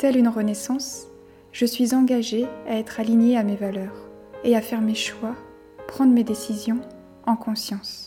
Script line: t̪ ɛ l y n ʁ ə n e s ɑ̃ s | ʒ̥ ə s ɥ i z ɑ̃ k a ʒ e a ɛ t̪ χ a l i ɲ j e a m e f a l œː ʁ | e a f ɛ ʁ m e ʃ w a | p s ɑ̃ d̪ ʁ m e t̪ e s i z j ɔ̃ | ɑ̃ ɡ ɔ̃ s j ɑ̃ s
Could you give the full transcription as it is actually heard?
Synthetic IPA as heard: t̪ ɛ l y n ʁ ə n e s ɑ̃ s | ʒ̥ ə s ɥ i z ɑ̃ ɡ a ʒ e a ɛ t̪ χ a l i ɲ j e a m e v a l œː ʁ | e a f ɛ ʁ m e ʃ w a | p χ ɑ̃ d̪ ʁ m e d̪ e s i z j ɔ̃ | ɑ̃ k ɔ̃ s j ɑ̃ s